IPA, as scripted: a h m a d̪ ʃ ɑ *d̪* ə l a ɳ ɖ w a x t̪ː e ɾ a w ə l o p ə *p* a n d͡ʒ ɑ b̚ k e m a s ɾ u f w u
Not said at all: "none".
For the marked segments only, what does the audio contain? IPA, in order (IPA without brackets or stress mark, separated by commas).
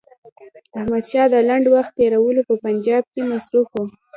d̪, p